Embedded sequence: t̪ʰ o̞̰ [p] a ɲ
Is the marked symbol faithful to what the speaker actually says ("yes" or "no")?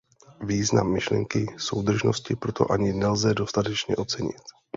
no